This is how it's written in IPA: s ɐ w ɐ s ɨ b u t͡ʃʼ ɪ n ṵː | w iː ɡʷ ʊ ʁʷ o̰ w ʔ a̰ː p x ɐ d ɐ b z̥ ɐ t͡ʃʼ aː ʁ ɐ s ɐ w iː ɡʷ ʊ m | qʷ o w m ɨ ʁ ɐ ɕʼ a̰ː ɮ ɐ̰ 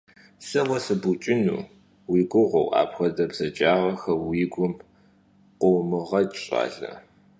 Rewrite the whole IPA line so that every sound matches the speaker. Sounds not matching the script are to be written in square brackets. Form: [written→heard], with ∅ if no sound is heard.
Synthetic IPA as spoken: s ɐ w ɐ s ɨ b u t͡ʃʼ ɪ n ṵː | w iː ɡʷ ʊ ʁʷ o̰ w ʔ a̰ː p x ɐ d ɐ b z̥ ɐ t͡ʃʼ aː ʁ ɐ [s→x] ɐ w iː ɡʷ ʊ m | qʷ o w m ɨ ʁ ɐ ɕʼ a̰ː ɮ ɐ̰